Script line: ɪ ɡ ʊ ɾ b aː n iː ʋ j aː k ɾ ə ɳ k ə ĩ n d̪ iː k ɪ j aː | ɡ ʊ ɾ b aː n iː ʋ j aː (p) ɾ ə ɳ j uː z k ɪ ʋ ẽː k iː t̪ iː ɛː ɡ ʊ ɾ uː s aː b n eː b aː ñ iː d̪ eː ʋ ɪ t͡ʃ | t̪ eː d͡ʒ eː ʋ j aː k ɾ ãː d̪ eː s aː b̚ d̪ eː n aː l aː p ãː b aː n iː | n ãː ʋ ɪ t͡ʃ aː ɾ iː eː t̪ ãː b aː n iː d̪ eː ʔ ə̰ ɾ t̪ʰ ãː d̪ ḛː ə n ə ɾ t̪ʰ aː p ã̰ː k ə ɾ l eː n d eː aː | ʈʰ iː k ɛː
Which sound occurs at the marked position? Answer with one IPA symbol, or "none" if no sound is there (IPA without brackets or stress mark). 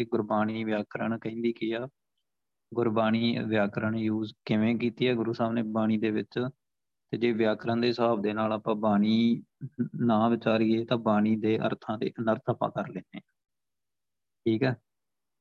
k